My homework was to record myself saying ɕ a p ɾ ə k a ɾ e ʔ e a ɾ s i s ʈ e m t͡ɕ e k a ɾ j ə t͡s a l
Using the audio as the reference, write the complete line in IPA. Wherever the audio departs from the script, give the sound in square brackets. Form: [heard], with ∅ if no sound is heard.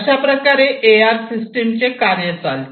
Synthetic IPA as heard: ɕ a p ɾ ə k a ɾ e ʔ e a ɾ s i s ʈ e m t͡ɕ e k a ɾ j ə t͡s a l